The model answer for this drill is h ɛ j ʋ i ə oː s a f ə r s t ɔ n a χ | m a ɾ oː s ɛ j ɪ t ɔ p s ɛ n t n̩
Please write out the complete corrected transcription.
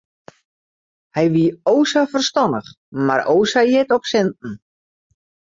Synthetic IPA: h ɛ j ʋ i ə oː s a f ə r s t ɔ n ə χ | m a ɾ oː s a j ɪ t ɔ p s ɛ n t n̩